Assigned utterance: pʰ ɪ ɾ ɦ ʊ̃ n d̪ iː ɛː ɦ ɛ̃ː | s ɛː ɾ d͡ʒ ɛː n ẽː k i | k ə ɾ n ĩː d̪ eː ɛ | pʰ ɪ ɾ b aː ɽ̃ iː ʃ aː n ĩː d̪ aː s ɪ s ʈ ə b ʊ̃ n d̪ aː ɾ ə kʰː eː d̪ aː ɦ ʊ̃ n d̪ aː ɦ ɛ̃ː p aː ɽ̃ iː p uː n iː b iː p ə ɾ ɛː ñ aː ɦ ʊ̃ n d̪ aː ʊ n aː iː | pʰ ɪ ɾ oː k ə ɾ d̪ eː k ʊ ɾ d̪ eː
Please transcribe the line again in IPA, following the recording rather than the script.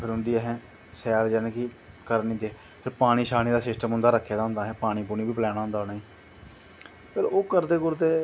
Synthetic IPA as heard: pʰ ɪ ɾ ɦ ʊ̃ n d̪ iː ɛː ɦ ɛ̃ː | s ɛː ɾ d͡ʒ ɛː n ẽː k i | k ə ɾ n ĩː d̪ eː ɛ | pʰ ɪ ɾ p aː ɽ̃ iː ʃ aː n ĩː d̪ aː s ɪ s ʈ ə m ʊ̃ n d̪ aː ɾ ə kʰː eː d̪ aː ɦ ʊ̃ n d̪ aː ɦ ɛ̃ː p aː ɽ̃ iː p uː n iː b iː p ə l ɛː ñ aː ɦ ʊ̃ n d̪ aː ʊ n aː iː | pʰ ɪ ɾ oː k ə ɾ d̪ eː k ʊ ɾ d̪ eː